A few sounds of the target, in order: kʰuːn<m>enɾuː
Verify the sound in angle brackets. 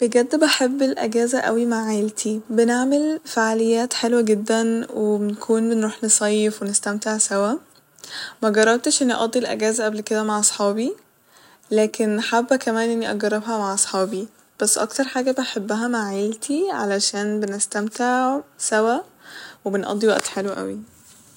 incorrect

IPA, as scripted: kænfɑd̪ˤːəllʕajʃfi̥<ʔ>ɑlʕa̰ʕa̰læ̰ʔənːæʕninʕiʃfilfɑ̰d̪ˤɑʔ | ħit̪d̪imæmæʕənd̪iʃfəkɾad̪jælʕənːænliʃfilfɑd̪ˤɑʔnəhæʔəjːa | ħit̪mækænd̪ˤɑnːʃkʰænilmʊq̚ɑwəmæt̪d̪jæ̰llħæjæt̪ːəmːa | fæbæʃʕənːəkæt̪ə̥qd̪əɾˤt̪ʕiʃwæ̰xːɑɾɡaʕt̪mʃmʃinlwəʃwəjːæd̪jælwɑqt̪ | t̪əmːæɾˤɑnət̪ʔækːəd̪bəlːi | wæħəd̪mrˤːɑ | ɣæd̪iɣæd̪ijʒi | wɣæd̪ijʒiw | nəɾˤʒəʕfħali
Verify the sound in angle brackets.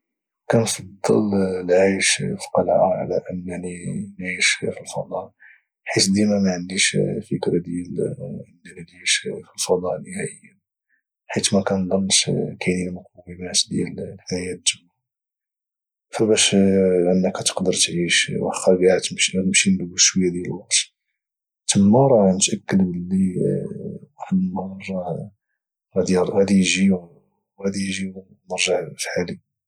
incorrect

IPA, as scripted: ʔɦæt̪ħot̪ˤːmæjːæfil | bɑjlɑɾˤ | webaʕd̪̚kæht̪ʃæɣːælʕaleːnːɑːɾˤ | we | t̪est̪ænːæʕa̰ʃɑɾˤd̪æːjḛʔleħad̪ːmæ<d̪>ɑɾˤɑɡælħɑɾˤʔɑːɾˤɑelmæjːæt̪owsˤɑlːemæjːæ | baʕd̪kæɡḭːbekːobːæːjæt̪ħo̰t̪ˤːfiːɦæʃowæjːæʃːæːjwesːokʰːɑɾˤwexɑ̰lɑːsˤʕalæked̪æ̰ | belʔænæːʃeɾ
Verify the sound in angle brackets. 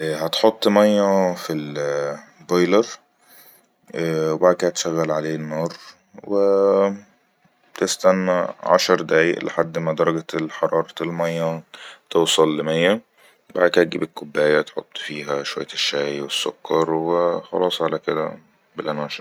correct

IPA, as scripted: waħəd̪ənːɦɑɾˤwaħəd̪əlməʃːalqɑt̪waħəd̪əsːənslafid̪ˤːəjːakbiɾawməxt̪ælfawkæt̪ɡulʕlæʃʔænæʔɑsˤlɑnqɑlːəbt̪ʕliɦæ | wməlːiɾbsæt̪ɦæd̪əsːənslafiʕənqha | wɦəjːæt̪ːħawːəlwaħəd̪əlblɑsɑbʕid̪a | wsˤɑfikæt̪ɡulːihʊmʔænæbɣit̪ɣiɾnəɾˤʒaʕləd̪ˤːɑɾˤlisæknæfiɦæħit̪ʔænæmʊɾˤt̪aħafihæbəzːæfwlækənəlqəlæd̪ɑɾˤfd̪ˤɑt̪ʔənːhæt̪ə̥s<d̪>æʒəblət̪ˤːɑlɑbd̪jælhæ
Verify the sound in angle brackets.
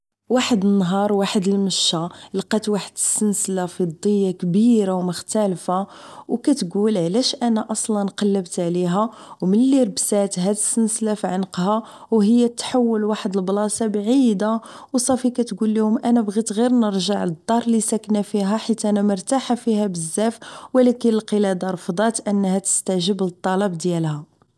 incorrect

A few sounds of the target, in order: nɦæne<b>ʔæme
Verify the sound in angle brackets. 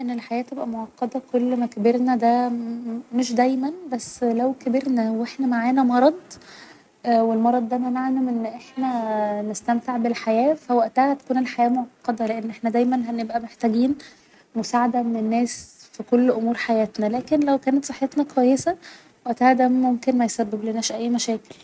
correct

